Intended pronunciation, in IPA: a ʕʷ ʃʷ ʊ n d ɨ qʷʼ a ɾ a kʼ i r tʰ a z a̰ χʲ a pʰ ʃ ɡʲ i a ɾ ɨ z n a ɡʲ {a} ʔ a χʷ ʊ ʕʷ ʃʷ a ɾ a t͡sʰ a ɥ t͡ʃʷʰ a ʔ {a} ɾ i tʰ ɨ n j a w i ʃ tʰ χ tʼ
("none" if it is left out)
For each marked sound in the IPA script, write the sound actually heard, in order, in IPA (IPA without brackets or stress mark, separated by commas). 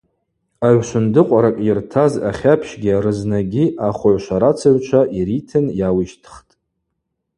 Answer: i, i